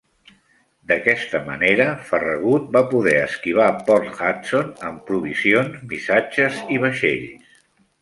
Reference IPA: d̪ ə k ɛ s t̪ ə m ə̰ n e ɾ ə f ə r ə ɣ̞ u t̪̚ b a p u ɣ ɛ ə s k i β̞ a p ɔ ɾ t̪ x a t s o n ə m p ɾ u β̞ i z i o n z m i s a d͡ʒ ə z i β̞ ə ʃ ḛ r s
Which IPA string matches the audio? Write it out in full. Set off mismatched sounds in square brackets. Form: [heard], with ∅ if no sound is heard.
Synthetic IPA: d̪ ə k ɛ s t̪ ə m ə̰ n e ɾ ə f ə r ə ɣ̞ u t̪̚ b a p u [ð] ɛ ə s k i β̞ a p ɔ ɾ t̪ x a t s o n ə m p ɾ u β̞ i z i o n z m i s a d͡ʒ ə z i β̞ ə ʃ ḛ [ʎ] s